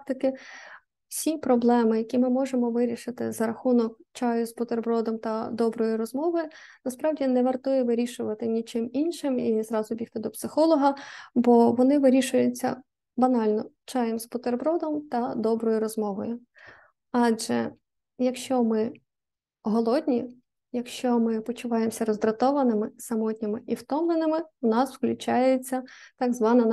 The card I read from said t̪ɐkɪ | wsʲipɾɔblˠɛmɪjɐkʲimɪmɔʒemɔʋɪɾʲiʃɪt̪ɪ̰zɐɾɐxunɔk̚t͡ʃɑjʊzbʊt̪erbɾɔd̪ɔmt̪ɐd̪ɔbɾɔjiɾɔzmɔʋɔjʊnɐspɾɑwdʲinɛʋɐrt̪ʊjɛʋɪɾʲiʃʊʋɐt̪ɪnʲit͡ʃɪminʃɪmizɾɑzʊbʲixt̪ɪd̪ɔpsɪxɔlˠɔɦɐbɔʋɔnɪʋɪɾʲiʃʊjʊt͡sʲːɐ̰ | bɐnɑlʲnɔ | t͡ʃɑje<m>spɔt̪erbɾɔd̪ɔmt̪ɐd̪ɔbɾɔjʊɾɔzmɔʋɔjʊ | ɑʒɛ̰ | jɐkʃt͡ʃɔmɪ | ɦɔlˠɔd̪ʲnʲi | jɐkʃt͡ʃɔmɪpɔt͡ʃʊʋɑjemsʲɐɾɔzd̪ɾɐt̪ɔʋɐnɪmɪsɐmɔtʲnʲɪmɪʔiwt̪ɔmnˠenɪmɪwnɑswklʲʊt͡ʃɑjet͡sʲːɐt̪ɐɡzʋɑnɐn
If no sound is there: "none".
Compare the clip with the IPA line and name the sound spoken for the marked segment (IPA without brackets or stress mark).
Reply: m